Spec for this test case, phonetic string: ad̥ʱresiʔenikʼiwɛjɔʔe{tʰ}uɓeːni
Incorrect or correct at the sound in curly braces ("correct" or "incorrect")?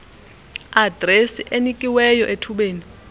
correct